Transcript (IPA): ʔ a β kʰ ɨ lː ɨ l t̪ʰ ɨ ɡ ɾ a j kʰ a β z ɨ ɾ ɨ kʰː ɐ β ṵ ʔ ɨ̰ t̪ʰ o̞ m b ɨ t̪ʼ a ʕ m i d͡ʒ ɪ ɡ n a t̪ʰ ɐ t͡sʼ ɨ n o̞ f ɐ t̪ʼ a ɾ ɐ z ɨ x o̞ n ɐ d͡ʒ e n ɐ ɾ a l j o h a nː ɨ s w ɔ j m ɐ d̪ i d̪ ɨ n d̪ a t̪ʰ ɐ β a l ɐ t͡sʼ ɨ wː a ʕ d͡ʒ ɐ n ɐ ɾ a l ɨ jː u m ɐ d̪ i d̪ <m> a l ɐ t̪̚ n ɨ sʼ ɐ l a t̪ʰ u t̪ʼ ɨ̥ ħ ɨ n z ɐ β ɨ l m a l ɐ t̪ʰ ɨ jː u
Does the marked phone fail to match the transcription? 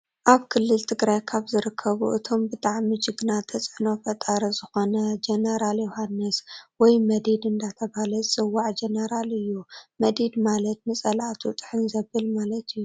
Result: no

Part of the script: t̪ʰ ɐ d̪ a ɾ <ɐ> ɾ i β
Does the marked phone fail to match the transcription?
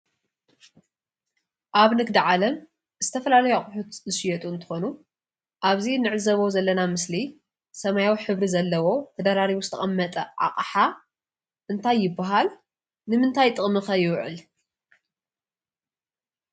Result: yes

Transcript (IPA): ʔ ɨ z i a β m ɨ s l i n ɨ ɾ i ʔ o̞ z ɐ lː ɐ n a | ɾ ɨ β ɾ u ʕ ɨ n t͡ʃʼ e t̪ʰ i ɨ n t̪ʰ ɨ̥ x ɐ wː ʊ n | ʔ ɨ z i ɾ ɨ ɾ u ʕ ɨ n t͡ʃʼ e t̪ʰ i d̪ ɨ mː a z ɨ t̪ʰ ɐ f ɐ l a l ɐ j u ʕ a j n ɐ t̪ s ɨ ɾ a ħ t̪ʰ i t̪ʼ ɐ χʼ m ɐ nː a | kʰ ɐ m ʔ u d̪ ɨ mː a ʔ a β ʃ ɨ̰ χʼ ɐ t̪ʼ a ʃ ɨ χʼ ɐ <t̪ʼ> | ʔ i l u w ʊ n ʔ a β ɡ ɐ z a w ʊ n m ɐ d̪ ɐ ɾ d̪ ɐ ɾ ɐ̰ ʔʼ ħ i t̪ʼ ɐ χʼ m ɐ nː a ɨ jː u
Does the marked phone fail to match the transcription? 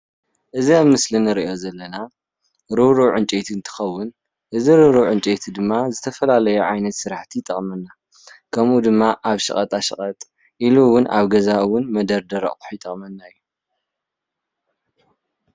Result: no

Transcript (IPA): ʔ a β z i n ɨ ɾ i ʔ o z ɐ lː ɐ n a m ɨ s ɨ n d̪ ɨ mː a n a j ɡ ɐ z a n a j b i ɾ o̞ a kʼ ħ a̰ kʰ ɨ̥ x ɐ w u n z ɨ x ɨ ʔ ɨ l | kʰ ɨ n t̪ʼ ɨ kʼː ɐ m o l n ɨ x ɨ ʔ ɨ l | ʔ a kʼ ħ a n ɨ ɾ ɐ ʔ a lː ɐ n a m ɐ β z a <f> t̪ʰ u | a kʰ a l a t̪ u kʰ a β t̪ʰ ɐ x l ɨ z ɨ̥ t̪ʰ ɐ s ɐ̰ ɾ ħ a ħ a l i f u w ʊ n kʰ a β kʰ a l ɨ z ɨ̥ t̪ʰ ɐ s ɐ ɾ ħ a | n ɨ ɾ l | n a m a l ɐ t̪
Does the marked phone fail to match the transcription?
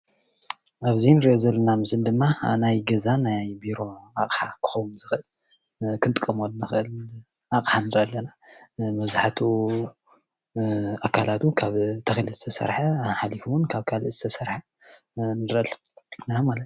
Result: yes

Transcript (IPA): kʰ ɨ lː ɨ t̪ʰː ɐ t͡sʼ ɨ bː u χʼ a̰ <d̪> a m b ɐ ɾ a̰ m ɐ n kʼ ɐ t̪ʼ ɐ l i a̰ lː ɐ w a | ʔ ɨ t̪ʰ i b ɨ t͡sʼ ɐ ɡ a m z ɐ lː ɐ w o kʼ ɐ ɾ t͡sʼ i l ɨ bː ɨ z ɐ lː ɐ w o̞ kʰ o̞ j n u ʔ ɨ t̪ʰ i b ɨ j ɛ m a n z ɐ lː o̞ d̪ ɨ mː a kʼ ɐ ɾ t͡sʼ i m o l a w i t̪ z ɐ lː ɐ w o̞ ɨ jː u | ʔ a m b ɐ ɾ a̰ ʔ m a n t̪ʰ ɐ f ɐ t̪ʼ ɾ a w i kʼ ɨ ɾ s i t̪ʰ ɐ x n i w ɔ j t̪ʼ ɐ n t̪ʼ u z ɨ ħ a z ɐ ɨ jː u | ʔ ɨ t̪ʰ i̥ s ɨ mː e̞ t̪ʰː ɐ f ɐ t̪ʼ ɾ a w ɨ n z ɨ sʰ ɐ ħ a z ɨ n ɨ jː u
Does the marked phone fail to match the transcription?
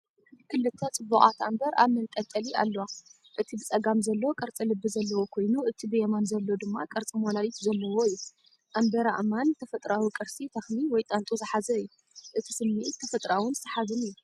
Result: yes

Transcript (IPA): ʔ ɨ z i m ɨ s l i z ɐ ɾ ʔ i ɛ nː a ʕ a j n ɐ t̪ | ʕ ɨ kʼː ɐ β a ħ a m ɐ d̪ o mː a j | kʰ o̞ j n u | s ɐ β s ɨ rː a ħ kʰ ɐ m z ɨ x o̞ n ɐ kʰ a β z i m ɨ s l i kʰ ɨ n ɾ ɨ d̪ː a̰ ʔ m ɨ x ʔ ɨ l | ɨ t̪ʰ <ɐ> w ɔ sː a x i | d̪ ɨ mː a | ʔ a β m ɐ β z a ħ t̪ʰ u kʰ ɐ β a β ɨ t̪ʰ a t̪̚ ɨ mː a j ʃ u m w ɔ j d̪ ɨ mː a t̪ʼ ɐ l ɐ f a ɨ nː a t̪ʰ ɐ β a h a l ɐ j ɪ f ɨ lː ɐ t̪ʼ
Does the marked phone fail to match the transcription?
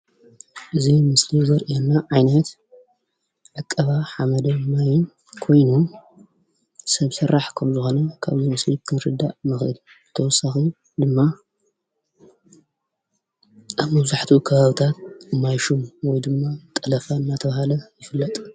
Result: no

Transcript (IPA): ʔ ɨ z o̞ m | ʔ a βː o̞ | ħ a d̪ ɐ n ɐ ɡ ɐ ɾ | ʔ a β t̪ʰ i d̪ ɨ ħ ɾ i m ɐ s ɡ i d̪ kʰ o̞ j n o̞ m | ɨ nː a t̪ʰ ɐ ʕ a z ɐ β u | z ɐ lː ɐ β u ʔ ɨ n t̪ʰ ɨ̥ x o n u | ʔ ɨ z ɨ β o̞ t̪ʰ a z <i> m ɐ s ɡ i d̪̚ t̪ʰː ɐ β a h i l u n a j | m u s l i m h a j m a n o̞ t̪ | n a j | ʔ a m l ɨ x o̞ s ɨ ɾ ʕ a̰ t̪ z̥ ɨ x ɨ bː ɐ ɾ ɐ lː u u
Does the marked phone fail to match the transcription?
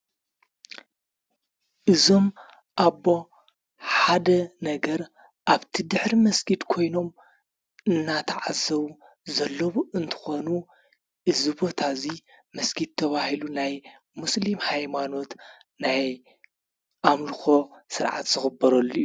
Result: no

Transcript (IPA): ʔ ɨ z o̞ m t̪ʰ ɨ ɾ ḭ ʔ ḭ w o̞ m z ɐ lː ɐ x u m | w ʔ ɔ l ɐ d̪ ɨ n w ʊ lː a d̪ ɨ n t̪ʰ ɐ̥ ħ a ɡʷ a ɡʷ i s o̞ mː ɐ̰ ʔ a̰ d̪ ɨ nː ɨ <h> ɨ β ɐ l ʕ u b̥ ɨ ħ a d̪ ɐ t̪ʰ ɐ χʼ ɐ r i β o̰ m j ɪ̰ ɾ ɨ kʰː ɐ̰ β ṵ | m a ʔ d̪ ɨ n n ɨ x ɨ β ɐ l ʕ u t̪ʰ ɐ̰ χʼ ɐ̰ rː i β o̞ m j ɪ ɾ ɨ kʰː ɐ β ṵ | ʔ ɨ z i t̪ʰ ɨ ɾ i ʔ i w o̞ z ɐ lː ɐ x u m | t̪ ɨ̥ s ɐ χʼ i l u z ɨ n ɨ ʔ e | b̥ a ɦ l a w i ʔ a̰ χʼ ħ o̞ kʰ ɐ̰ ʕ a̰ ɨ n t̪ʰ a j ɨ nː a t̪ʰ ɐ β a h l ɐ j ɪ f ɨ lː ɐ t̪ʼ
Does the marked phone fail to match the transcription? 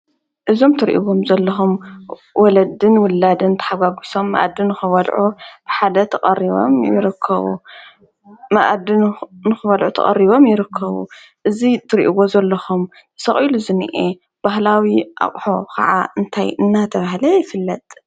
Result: yes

